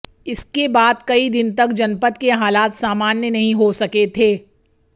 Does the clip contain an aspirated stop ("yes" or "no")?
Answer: yes